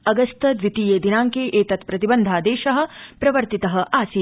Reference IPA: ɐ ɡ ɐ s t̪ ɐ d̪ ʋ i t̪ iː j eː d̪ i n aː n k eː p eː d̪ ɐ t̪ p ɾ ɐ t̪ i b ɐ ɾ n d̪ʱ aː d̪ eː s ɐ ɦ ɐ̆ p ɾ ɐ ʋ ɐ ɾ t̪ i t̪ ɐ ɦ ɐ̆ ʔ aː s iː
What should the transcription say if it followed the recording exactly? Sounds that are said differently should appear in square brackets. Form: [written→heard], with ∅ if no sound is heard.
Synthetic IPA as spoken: ɐ ɡ ɐ s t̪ ɐ d̪ ʋ i t̪ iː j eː d̪ i n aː [n→ŋ] k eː [p→ʔ] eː [d̪→t̪] ɐ t̪ p ɾ ɐ t̪ i b ɐ [ɾ→∅] n d̪ʱ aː d̪ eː [s→ʃ] ɐ ɦ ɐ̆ p ɾ ɐ ʋ ɐ ɾ t̪ i t̪ ɐ ɦ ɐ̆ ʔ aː s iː